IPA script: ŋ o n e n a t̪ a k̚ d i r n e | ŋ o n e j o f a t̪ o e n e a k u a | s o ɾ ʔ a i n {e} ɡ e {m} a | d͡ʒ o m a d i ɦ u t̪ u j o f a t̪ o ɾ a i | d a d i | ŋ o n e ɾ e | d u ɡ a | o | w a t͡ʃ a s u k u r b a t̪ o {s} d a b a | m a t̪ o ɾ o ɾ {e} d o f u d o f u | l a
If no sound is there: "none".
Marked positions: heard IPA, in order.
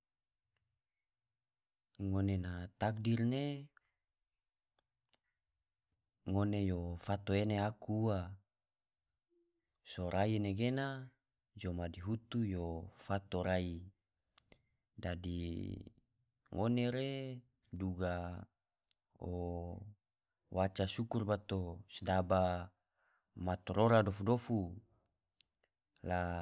e, n, s, a

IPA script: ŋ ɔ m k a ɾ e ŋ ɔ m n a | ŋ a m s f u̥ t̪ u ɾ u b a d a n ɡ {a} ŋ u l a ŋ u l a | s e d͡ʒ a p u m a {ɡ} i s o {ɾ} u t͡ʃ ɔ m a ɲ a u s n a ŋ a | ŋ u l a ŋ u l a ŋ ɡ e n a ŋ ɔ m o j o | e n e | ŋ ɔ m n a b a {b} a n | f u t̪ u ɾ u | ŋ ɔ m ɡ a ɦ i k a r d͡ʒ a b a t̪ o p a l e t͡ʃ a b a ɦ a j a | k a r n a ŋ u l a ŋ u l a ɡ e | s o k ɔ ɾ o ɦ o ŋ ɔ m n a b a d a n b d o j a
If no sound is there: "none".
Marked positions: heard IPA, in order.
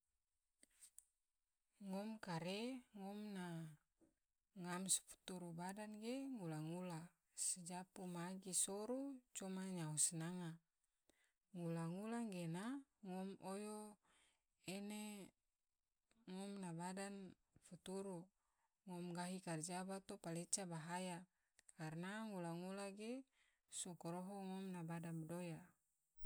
e, ɡ, ɾ, d

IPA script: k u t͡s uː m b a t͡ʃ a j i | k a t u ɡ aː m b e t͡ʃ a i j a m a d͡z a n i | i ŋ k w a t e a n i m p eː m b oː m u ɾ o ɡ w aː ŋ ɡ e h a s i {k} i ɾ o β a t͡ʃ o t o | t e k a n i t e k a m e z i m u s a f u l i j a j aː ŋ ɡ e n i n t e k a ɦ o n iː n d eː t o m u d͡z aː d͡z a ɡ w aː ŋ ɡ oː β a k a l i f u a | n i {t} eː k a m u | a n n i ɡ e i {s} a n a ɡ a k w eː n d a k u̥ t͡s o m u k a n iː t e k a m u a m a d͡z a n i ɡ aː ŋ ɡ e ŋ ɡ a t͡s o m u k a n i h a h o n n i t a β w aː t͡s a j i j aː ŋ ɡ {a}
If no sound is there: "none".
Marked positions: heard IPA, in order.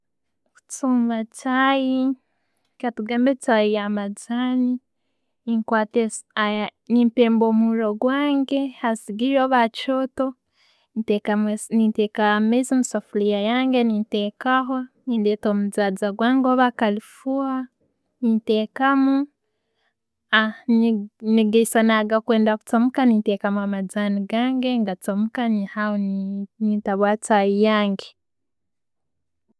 ɡ, t, s, e

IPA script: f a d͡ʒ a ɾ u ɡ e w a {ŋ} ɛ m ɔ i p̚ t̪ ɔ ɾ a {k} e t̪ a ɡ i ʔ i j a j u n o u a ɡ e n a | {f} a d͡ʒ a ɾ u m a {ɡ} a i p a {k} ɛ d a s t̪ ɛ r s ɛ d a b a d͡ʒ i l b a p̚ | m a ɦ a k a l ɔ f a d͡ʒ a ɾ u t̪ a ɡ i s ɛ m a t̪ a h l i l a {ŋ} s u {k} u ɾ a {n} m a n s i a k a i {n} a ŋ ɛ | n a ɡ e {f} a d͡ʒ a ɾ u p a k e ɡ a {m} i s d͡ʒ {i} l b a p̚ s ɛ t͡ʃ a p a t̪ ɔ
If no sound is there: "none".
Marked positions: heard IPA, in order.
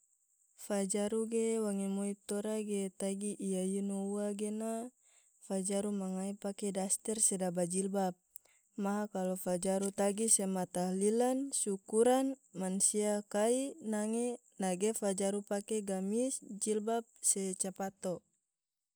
ŋ, ɡ, f, ŋ, k, n, k, n, n, f, m, i

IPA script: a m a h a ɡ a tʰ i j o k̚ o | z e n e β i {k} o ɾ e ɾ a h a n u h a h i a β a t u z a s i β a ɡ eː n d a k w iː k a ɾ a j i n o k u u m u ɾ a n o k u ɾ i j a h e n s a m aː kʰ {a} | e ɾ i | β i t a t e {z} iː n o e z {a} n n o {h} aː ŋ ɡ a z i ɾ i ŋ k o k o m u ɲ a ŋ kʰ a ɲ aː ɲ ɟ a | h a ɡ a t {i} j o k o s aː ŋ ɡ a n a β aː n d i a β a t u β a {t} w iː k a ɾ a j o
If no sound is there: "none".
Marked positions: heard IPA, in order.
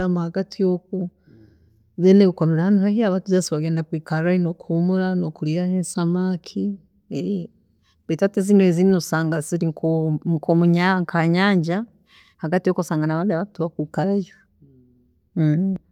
k, i, z, i, s, i, k

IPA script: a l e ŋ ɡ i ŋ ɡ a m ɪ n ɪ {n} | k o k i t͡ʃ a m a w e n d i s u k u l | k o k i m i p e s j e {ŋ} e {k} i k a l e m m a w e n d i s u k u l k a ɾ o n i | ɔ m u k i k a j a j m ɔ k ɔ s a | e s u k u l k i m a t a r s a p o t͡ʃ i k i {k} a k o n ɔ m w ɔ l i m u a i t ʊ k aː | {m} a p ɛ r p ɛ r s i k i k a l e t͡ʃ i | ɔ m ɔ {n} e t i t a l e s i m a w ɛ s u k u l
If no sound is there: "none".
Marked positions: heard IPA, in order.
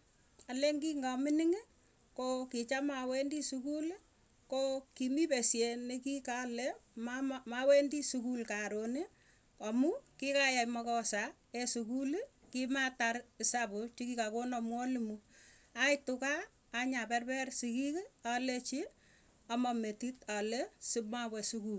ŋ, n, k, k, ɲ, m

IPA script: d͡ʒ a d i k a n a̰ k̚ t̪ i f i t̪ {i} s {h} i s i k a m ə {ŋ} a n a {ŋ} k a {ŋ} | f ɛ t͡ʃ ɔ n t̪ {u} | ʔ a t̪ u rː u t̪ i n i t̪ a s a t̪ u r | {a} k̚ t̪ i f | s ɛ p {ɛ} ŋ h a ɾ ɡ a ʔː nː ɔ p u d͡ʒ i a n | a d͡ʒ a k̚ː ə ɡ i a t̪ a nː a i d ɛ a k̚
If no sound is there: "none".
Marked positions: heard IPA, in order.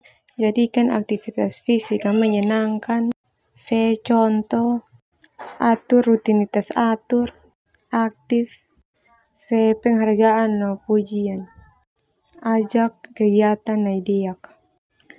a, f, ɲ, ŋ, n, ɔ, a, ɛ

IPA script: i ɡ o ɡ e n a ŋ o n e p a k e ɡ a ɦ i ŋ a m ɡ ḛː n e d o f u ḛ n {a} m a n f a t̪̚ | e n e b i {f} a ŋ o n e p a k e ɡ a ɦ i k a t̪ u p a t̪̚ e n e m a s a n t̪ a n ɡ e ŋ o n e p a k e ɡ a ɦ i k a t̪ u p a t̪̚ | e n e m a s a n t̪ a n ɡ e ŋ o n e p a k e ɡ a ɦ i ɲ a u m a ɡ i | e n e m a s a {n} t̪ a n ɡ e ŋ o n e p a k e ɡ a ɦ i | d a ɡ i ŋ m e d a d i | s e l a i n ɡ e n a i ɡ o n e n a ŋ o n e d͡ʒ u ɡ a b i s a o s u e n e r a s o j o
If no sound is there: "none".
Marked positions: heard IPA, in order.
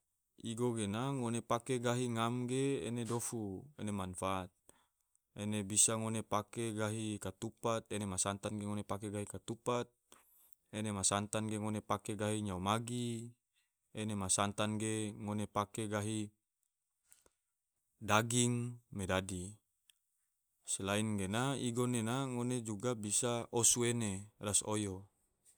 e, s, n

